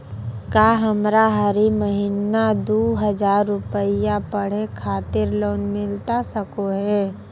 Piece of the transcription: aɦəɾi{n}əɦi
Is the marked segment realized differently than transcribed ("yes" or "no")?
yes